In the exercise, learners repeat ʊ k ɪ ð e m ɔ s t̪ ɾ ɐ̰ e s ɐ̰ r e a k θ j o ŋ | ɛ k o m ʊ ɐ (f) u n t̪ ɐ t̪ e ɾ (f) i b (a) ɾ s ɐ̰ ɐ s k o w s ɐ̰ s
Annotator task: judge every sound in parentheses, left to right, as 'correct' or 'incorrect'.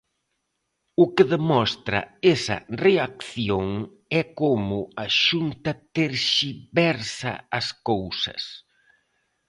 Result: incorrect, incorrect, incorrect

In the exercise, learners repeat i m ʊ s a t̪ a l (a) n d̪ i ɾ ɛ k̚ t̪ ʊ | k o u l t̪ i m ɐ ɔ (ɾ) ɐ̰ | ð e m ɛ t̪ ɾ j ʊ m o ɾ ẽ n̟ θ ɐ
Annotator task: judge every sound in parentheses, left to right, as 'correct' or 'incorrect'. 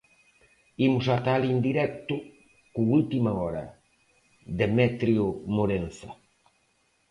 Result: incorrect, correct

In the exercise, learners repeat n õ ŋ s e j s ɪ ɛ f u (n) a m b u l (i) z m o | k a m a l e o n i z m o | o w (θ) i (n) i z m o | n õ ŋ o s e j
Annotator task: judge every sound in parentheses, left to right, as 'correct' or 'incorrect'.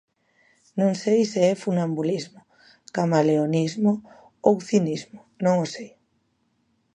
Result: correct, correct, correct, correct

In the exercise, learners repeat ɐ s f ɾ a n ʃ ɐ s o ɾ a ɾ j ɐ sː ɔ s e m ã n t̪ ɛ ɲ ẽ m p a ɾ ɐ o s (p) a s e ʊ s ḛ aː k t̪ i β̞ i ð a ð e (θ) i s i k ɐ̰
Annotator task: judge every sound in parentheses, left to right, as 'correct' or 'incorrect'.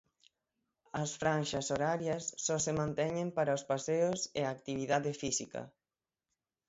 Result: correct, incorrect

